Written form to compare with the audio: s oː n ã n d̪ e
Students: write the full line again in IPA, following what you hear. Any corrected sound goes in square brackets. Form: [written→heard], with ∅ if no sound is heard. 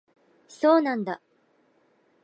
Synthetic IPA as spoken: s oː n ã n d̪ [e→a]